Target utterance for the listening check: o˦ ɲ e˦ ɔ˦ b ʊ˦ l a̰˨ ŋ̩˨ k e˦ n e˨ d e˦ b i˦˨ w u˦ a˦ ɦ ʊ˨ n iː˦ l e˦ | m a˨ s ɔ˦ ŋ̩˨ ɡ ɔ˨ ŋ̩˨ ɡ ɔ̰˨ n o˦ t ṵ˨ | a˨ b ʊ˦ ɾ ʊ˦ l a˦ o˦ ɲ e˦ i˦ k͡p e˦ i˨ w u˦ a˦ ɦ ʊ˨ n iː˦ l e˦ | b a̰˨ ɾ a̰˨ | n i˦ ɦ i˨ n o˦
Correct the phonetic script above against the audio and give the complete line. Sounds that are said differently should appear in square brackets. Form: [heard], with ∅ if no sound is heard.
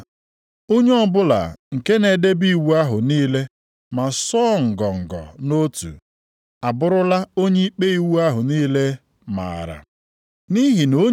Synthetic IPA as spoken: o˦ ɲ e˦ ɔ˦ b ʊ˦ l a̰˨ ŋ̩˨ k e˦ n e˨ d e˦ b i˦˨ w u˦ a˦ ɦ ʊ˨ n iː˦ l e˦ | m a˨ s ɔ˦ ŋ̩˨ ɡ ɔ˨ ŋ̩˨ ɡ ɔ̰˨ n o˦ t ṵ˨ | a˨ b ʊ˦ ɾ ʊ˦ l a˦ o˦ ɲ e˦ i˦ k͡p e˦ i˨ w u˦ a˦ ɦ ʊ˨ n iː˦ l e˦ | [m] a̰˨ ɾ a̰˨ | n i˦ ɦ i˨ n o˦